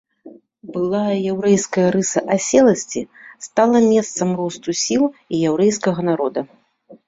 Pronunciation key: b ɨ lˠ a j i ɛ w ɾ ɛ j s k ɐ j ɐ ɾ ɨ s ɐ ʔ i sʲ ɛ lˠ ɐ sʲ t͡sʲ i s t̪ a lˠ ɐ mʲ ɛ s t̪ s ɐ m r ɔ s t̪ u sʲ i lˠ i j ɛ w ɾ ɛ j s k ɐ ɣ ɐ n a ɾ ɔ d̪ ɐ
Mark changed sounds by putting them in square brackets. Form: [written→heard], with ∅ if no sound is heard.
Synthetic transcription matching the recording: b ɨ lˠ a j [i→j] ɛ w ɾ ɛ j s k ɐ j ɐ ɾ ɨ s ɐ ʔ [i→a] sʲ ɛ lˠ ɐ sʲ t͡sʲ i s t̪ a lˠ ɐ mʲ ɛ s t̪ s ɐ m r ɔ s t̪ u sʲ i lˠ i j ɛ w ɾ ɛ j s k ɐ ɣ ɐ n a ɾ ɔ d̪ ɐ

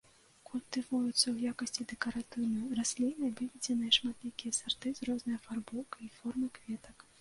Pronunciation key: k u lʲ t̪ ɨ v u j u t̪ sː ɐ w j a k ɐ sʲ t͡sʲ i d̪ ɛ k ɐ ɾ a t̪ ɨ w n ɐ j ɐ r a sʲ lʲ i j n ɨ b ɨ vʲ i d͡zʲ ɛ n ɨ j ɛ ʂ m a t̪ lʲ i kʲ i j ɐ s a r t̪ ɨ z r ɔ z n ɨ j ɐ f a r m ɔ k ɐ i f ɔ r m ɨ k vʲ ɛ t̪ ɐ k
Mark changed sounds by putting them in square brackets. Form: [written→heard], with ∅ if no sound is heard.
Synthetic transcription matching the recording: k u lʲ t̪ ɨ v u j u t̪ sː ɐ w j a k ɐ sʲ t͡sʲ i d̪ ɛ k ɐ ɾ a t̪ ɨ w n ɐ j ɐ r a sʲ lʲ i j n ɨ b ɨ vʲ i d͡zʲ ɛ n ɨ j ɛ ʂ m a t̪ lʲ i kʲ i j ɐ s a r t̪ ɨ z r ɔ z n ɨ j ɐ f a r [m→b] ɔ k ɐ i f ɔ r m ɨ k vʲ ɛ t̪ ɐ k

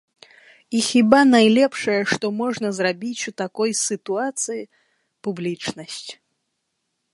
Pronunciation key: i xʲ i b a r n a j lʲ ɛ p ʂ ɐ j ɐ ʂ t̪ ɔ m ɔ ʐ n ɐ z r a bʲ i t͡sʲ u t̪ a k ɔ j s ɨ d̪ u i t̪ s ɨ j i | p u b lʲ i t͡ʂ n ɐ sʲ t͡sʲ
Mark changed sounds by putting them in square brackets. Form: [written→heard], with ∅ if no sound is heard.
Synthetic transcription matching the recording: i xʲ i b a [r→∅] n a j lʲ ɛ p ʂ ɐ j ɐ ʂ t̪ ɔ m ɔ ʐ n ɐ z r a bʲ i t͡sʲ u t̪ a k ɔ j s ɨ [d̪→t̪] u [i→a] t̪ s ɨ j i | p u b lʲ i t͡ʂ n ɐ sʲ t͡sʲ

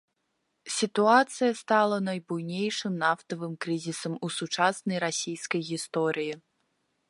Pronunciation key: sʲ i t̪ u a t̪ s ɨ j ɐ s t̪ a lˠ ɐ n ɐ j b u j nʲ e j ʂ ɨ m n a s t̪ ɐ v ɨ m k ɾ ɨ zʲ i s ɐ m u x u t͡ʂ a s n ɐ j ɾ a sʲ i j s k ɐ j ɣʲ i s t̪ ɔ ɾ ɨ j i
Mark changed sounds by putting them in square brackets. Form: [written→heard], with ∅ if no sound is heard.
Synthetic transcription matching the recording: sʲ i t̪ u a t̪ s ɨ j ɐ s t̪ a lˠ ɐ n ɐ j b u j nʲ e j ʂ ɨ m n a [s→f] t̪ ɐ v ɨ m k ɾ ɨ zʲ i s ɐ m u [x→s] u t͡ʂ a s n ɐ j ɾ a sʲ i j s k ɐ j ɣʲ i s t̪ ɔ ɾ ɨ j i

